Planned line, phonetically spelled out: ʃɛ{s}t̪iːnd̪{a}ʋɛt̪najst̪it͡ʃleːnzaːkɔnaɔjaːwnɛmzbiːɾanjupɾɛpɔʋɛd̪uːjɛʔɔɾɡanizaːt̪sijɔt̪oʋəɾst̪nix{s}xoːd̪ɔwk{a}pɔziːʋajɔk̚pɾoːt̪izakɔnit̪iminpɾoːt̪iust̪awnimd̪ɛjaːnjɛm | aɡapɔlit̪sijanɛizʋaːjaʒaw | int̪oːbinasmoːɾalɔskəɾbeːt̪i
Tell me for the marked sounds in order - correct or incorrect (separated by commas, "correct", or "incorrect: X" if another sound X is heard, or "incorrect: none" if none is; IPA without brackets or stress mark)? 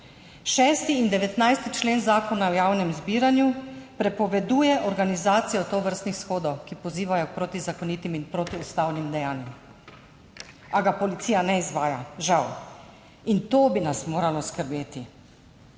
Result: correct, incorrect: ɛ, correct, incorrect: i